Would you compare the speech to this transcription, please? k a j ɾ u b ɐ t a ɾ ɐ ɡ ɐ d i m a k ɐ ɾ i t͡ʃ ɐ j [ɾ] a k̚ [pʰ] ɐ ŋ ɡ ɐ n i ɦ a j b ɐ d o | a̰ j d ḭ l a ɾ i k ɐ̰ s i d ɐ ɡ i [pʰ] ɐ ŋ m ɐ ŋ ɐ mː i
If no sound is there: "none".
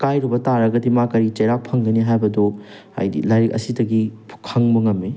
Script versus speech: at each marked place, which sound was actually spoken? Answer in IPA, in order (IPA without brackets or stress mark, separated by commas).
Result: ɾ, pʰ, kʰ